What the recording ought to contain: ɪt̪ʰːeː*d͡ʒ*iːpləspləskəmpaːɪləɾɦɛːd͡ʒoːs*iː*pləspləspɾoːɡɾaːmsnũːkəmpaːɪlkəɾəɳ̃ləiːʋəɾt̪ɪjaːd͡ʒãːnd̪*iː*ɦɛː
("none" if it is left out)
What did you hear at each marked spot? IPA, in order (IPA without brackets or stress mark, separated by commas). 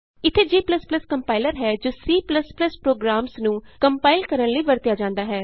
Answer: d͡ʒ, iː, aː